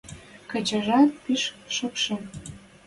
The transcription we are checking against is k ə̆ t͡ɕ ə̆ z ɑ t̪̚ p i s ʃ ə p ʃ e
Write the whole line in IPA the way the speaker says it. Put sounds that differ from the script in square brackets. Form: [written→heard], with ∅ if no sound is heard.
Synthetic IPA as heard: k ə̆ t͡ɕ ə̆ [z→ʒ] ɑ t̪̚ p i [s→ʃ] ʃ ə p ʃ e